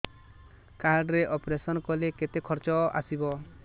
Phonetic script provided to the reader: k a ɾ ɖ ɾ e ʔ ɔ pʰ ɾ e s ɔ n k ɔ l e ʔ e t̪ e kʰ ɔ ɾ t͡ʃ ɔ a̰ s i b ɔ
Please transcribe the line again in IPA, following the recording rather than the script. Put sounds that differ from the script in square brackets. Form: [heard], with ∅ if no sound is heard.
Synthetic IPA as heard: k a ɾ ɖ ɾ e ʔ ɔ [p] ɾ e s ɔ n k ɔ l e [k] e t̪ e kʰ ɔ ɾ t͡ʃ ɔ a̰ s i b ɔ